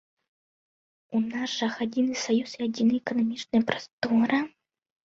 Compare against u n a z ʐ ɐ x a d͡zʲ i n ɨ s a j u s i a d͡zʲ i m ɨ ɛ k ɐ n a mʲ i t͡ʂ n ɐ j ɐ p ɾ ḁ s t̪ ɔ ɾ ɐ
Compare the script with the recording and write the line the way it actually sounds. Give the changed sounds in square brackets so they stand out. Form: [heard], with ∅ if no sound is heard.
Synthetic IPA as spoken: u n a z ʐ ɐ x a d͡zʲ i n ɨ s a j u s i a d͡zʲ i [n] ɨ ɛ k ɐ n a mʲ i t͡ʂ n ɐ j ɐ p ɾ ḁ s t̪ ɔ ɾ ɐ